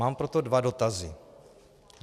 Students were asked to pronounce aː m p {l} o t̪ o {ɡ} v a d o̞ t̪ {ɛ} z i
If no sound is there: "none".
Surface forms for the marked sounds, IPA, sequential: ɾ, d, a

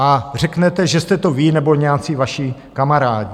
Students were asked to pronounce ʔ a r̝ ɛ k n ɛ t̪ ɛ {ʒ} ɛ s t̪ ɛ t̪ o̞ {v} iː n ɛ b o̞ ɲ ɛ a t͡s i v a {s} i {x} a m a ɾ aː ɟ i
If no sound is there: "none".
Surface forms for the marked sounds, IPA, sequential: ʒ, v, ʃ, k

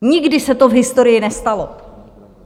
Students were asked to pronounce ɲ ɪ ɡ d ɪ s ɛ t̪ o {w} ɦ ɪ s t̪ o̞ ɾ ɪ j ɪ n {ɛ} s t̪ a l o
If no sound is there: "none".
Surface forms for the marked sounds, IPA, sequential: v, ɛ

